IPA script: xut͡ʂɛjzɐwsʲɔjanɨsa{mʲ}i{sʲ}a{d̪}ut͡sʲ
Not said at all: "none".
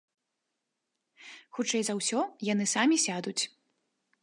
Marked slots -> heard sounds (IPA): mʲ, sʲ, d̪

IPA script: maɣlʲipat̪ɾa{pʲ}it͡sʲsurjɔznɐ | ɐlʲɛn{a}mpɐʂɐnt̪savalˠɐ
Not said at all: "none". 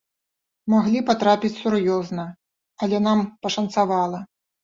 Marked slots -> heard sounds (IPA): pʲ, a

